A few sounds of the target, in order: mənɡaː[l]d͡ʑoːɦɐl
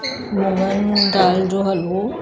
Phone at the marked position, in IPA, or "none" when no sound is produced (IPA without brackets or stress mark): l